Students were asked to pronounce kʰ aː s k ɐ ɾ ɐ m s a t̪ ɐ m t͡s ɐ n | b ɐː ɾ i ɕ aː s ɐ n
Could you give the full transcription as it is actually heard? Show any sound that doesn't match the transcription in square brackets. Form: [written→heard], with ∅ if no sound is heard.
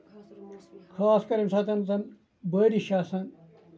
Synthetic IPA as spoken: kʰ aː s k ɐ ɾ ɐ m s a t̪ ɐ [m→n] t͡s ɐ n | b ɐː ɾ i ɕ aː s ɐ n